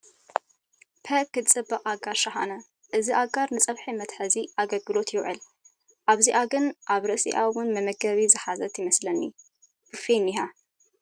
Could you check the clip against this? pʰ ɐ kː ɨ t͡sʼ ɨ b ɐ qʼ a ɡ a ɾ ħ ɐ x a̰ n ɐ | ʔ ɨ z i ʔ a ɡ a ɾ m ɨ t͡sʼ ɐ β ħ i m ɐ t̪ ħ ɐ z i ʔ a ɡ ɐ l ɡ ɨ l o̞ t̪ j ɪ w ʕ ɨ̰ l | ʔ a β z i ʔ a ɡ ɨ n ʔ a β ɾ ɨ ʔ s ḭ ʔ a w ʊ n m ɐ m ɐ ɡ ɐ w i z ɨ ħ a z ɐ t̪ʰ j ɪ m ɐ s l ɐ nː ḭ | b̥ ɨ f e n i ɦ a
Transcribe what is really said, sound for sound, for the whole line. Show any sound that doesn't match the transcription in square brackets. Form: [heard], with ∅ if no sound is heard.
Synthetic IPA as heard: pʰ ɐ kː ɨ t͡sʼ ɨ b ɐ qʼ a ɡ a ɾ [ʃ] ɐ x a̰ n ɐ | ʔ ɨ z i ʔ a ɡ a ɾ [n] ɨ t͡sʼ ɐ β ħ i m ɐ t̪ ħ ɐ z i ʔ a ɡ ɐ l ɡ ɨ l o̞ t̪ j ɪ w ʕ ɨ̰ l | ʔ a β z i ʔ a ɡ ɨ n ʔ a β ɾ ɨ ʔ s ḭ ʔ a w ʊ n m ɐ m ɐ ɡ ɐ [β] i z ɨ ħ a z ɐ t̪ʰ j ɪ m ɐ s l ɐ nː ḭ | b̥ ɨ f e n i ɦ a